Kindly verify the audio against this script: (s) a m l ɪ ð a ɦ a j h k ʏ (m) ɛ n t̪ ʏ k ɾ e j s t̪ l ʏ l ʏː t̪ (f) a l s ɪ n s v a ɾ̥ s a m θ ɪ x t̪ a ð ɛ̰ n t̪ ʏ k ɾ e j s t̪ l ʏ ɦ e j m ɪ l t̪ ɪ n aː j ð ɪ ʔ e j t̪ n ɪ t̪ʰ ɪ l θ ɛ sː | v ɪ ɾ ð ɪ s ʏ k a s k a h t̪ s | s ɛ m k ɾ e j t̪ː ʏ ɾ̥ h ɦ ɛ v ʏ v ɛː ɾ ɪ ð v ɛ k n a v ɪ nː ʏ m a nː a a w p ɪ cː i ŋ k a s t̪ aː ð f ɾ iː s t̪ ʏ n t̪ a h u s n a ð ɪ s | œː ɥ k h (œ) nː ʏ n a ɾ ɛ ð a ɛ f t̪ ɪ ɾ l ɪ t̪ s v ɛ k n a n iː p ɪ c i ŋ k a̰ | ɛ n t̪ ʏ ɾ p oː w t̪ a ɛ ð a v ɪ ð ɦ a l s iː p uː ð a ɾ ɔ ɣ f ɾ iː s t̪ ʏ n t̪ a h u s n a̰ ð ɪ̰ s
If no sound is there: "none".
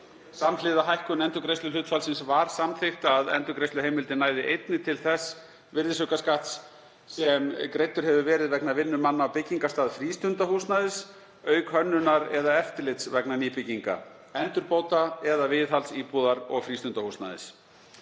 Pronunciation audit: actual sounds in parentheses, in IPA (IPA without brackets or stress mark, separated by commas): s, n, f, œ